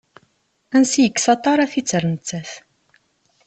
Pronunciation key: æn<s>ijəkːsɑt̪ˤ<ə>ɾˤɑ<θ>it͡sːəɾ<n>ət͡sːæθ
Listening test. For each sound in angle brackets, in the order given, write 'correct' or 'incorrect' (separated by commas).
correct, incorrect, correct, correct